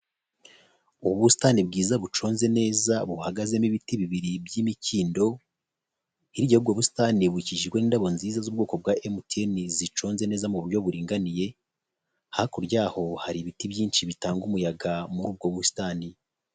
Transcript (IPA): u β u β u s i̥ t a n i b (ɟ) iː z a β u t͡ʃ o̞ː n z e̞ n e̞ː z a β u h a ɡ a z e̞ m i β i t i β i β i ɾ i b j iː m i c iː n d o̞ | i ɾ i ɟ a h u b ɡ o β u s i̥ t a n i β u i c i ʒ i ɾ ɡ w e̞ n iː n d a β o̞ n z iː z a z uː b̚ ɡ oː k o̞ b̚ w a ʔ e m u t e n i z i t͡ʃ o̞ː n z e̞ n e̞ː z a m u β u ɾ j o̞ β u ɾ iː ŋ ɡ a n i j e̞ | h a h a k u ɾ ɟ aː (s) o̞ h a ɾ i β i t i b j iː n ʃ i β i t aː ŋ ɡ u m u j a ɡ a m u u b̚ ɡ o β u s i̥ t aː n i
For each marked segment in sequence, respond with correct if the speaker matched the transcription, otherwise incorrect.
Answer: incorrect: ɡ, incorrect: h

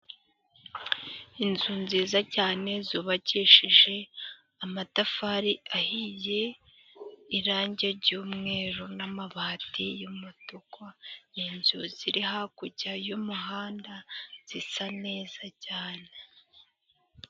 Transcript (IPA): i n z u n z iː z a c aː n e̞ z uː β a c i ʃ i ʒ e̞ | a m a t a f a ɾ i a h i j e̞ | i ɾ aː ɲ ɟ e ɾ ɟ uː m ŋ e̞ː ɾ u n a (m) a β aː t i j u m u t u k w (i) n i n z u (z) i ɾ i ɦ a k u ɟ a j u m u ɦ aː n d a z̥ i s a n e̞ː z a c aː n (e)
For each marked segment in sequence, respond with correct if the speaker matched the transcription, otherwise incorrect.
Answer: correct, incorrect: a, correct, correct

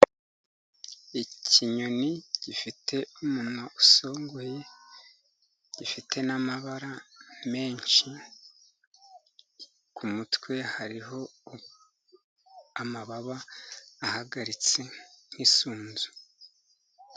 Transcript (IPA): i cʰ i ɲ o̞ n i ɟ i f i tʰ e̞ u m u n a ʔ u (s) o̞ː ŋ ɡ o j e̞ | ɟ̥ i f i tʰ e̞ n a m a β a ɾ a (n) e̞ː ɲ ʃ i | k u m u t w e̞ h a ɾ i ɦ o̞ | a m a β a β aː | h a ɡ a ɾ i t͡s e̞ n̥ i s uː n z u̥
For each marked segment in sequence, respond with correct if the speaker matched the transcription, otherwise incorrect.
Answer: correct, incorrect: m

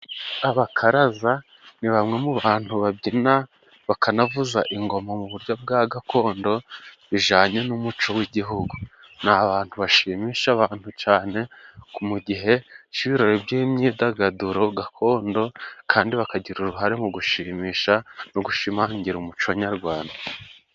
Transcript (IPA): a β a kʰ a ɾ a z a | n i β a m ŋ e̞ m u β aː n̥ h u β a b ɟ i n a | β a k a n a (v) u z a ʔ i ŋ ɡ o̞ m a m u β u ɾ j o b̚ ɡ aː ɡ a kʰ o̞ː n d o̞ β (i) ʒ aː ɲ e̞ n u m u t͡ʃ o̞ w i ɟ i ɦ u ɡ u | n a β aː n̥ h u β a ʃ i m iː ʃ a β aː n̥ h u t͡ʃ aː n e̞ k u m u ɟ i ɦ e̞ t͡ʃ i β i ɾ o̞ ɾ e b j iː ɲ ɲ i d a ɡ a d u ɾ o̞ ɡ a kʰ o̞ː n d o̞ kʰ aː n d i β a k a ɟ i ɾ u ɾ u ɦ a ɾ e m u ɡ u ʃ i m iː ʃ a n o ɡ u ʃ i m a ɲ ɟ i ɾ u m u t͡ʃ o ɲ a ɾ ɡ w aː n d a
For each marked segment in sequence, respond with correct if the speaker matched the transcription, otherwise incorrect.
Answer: correct, correct

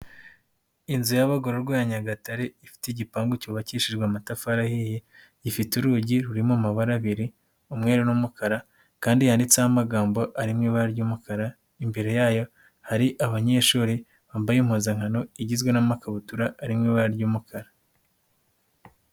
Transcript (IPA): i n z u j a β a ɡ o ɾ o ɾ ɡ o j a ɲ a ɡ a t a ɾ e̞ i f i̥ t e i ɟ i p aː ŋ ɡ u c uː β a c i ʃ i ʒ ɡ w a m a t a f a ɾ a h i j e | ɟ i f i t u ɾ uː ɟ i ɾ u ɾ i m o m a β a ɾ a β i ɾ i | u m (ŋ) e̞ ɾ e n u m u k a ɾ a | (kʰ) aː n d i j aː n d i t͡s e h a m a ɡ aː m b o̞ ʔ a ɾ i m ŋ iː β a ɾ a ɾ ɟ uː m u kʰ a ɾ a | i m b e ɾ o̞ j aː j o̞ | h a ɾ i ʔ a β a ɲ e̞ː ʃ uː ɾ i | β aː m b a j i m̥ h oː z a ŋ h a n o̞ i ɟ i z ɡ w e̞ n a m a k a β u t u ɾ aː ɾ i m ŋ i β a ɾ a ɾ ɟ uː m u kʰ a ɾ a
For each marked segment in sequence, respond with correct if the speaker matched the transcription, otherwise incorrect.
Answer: correct, incorrect: k

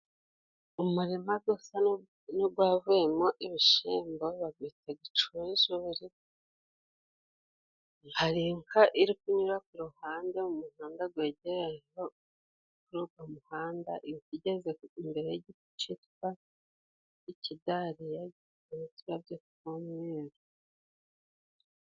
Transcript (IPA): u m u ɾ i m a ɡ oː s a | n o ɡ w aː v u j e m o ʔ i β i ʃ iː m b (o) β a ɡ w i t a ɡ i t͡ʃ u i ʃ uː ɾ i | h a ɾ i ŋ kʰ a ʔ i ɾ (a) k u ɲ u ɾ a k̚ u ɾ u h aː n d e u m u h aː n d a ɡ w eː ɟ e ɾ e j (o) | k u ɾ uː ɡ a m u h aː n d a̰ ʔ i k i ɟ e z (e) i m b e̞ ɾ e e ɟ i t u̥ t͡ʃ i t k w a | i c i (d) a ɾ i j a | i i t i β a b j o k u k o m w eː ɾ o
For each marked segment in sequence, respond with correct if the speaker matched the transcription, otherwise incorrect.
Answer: correct, incorrect: i, correct, correct, correct

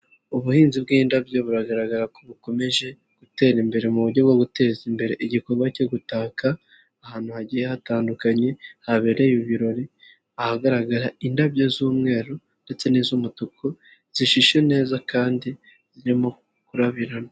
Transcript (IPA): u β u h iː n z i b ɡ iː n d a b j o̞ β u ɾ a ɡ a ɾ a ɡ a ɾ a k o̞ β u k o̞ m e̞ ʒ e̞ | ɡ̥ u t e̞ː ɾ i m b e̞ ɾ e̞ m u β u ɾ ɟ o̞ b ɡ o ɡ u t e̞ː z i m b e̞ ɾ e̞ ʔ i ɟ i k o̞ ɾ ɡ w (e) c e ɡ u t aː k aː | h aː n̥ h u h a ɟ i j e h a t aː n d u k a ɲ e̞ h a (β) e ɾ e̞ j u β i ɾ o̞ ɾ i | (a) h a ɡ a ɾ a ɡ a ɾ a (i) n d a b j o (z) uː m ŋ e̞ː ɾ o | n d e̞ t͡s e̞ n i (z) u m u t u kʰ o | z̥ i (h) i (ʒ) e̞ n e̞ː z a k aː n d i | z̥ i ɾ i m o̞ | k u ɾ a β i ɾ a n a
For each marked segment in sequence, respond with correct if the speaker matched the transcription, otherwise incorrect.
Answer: incorrect: a, correct, correct, correct, correct, correct, incorrect: ʃ, incorrect: ʃ

